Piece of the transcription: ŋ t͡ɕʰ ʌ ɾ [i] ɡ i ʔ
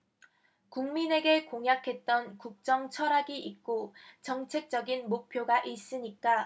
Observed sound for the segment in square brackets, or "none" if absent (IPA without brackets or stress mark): a